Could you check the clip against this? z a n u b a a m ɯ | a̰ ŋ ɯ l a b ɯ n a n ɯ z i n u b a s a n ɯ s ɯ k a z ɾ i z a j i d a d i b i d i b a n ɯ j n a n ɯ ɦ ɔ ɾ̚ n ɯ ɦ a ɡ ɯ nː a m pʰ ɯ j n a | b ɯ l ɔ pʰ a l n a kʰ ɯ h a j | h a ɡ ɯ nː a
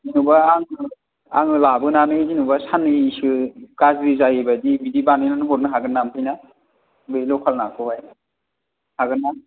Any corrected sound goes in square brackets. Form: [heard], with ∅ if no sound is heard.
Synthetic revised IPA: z [i] n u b a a [ŋ] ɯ | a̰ ŋ ɯ l a b ɯ n a n ɯ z i n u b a s a n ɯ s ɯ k a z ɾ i z a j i [b] a d i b i d i b a n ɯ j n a n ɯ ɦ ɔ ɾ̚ n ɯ ɦ a ɡ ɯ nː a m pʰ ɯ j n a | b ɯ l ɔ [kʰ] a l n a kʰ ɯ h a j | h a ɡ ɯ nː a